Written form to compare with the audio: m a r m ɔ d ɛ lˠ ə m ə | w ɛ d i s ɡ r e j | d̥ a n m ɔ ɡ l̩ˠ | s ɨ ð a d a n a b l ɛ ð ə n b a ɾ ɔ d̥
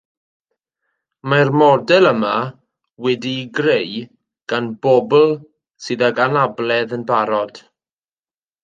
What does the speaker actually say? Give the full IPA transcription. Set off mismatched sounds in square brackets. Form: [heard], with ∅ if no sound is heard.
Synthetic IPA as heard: m a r m ɔ d ɛ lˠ ə m [a] | w ɛ d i [∅] ɡ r e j | [ɡ̥] a n [b] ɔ [b] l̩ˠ | s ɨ ð a [ɡ] a n a b l ɛ ð ə n b a ɾ ɔ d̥